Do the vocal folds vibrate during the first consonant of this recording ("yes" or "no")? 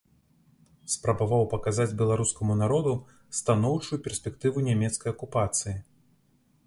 no